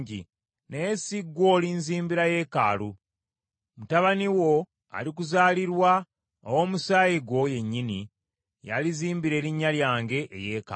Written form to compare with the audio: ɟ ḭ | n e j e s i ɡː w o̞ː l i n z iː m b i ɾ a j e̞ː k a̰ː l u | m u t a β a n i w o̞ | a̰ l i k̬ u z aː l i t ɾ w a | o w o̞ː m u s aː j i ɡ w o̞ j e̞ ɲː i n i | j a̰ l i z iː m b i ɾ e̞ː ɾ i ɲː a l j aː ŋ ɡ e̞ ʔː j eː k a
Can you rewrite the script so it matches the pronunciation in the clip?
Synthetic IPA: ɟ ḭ | n e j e s i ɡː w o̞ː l i n z iː m b i ɾ a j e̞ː k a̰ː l u | m u t a β a n i w o̞ | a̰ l i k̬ u z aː l i ɾ w a | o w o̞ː m u s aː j i ɡ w o̞ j e̞ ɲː i n i | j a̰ l i z iː m b i ɾ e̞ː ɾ i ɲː a l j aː ŋ ɡ e̞ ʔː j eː k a

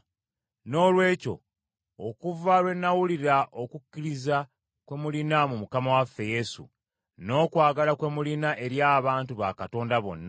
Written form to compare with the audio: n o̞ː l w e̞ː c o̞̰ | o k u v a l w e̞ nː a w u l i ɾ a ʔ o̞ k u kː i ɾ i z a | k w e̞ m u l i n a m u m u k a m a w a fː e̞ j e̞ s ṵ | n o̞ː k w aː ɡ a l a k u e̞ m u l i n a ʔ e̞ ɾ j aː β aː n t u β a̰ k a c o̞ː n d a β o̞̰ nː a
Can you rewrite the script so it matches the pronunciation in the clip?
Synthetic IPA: n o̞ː l w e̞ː c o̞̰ | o k u v a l w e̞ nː a w u l i ɾ a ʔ o̞ k u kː i ɾ i z a | k w e̞ m u l i n a m u m u k a m a w a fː e̞ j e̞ s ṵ | n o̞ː k w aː ɡ a l a k w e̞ m u l i n a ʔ e̞ ɾ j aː β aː n t u β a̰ k a t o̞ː n d a β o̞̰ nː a

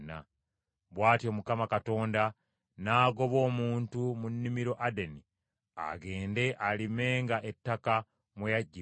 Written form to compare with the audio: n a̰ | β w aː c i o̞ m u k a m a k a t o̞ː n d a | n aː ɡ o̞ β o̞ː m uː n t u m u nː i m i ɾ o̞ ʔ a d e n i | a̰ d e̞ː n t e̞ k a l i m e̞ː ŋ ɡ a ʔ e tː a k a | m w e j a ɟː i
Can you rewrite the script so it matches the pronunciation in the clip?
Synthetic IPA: n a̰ | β w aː t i o̞ m u k a m a k a t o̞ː n d a | n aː ɡ o̞ β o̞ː m uː n t u m u nː i m i ɾ o̞ ʔ a d e n i | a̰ ɡ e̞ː n d e̞ ʔ a l i m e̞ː ŋ ɡ a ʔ e tː a k a | m w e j a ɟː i

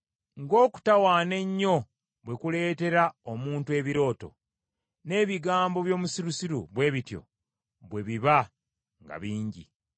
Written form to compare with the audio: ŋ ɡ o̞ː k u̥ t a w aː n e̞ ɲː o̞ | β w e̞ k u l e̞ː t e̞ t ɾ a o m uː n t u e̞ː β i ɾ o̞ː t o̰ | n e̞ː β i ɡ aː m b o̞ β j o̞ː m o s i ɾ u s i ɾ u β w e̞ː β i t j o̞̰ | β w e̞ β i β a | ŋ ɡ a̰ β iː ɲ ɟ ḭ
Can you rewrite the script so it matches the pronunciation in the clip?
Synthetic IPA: ŋ ɡ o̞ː k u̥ t a w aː n e̞ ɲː o̞ | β w e̞ k u l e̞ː t e̞ ɾ a o m uː n t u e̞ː β i ɾ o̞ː t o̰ | n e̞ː β i ɡ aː m b o̞ β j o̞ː m u s i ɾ u s i ɾ u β w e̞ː β i t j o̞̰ | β w e̞ β i β a | ŋ ɡ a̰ β iː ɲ ɟ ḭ

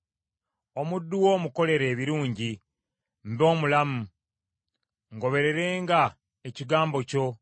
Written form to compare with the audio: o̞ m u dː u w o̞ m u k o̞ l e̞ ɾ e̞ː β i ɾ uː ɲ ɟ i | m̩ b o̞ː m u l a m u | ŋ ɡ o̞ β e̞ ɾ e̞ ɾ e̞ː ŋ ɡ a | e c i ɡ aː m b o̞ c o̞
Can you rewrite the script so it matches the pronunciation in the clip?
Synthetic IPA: o̞ m u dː u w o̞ m u k o̞ l e̞ ɾ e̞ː β i ɾ uː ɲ ɟ i | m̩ b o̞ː m u l a m u | ŋ ɡ o̞ β e̞ ɾ e̞ ɾ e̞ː ŋ ɡ a | e c i ɡ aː m b o̞ c o̞

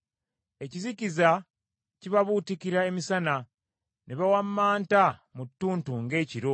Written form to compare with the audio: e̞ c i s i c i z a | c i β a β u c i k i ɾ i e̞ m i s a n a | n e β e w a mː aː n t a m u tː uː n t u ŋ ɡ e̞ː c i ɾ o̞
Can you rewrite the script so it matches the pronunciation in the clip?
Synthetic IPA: e̞ c i z i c i z a | c i β a β u t i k i ɾ a e̞ m i s a n a | n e β a w a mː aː n t a m u tː uː n t u ŋ ɡ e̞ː c i ɾ o̞

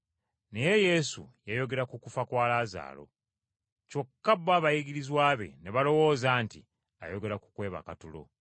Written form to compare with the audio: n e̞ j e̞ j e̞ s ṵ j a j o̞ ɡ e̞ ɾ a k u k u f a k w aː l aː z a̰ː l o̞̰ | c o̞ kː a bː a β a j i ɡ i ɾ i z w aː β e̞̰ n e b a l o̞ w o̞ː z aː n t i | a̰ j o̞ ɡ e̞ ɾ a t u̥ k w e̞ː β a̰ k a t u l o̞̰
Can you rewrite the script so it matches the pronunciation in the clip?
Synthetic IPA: n e̞ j e̞ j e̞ s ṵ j a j o̞ ɡ e̞ ɾ a k u k u f a k w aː l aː z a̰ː l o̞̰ | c o̞ kː a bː a β a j i ɡ i ɾ i z w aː β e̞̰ n e β a l o̞ w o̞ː z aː n t i | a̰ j o̞ ɡ e̞ ɾ a k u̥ k w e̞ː β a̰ k a t u l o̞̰

